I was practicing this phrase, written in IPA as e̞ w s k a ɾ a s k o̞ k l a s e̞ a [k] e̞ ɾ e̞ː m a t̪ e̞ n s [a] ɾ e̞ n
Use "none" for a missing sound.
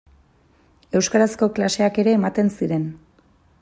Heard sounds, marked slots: k, i

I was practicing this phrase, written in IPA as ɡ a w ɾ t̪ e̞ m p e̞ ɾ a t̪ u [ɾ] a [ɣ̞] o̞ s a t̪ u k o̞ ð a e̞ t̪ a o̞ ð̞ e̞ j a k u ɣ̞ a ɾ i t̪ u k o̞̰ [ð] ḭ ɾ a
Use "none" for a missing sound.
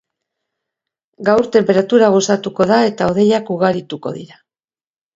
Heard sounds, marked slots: ɾ, ɣ̞, ð

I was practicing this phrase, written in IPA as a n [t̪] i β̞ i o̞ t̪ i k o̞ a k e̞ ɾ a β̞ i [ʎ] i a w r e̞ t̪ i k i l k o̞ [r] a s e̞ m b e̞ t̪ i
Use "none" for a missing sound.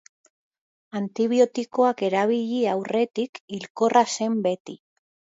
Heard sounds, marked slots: t̪, ʎ, r

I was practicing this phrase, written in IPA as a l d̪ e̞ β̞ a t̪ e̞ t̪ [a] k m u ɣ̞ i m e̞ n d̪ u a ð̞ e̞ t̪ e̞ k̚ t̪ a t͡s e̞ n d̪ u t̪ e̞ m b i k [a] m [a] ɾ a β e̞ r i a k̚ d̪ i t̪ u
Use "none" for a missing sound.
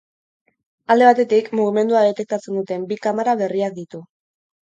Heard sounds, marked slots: i, a, a

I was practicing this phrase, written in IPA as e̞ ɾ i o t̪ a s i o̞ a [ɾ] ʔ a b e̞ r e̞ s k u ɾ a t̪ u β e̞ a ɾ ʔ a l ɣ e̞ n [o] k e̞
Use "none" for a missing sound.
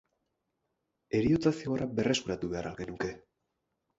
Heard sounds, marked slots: ɾ, u

